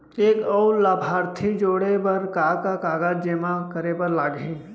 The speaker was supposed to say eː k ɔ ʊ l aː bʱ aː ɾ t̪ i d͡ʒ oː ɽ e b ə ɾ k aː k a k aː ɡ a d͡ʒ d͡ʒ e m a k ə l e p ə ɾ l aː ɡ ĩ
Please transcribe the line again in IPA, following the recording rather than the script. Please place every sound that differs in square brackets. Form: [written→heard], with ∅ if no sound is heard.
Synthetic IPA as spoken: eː k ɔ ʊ l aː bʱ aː ɾ [t̪→t̪ʰ] i d͡ʒ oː ɽ e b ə ɾ k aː k a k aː ɡ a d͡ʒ d͡ʒ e m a k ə [l→ɾ] e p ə ɾ l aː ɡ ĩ

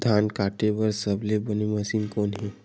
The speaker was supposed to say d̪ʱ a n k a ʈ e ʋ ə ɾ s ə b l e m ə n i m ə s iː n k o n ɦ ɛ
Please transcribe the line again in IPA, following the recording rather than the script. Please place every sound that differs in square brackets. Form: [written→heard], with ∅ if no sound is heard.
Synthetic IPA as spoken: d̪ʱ a n k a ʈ e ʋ ə ɾ s ə b l e [m→b] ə n i m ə s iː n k o n ɦ [ɛ→i]

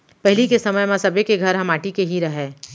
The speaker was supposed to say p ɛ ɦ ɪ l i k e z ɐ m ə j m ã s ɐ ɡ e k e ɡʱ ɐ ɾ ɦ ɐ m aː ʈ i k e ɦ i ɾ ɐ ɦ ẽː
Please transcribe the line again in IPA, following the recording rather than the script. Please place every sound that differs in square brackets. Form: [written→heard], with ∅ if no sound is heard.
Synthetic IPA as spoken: p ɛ ɦ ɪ l i k e [z→s] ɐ m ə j m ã s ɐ [ɡ→b] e k e ɡʱ ɐ ɾ ɦ ɐ m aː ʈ i k e ɦ i ɾ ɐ ɦ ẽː

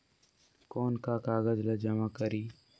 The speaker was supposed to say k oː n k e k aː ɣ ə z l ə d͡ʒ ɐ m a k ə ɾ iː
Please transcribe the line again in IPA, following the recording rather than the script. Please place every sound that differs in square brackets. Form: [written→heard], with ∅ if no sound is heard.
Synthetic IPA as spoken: k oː n k [e→a] k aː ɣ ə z l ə d͡ʒ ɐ m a k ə ɾ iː

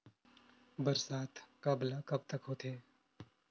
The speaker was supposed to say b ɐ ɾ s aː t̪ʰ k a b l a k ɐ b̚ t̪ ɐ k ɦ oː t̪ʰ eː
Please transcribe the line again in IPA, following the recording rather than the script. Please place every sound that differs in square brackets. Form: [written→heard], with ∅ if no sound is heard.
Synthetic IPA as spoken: b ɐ ɾ s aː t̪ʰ k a b l a k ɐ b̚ t̪ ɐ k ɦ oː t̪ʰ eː

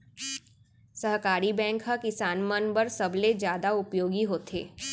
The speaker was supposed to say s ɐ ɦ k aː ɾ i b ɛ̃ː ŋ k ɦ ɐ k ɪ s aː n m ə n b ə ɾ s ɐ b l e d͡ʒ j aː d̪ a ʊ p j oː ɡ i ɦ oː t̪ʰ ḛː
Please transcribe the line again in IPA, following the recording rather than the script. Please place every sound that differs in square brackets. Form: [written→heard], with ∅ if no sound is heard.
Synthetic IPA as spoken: s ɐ ɦ k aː ɾ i b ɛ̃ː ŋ k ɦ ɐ k ɪ s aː n m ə n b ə ɾ s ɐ b l e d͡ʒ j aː d̪ a ʊ p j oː ɡ i ɦ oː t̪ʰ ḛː

